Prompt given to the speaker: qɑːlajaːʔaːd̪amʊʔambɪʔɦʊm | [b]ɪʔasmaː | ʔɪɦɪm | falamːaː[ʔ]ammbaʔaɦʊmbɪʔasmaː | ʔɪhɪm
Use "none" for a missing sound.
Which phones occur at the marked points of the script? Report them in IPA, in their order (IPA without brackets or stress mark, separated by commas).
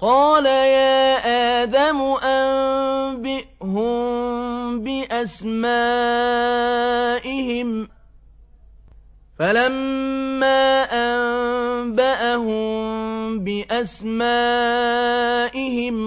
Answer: b, ʔ